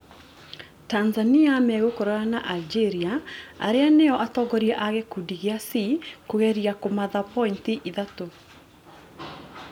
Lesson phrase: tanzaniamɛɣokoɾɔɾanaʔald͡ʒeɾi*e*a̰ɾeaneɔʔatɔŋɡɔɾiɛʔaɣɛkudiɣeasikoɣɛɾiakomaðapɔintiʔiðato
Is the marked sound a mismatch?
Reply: yes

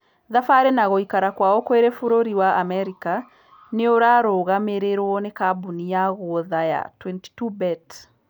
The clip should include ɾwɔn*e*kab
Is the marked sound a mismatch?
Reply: no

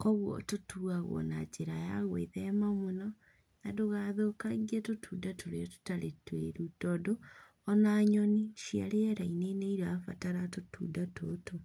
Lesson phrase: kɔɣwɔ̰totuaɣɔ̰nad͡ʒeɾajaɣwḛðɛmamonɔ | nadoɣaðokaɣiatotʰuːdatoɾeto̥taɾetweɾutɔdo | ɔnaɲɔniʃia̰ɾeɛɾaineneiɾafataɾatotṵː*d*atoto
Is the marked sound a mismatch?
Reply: no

